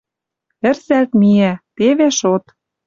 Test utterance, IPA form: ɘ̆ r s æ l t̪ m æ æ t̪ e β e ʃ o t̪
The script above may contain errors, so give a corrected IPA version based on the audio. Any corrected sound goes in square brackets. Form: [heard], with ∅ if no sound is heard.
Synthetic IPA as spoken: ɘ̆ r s æ l t̪ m [i] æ t̪ e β e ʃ o t̪